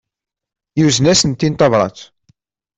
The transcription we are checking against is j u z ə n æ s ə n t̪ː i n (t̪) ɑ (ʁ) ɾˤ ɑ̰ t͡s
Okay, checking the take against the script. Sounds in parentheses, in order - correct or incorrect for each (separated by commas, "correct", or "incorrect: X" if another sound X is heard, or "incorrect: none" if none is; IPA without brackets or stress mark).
correct, incorrect: v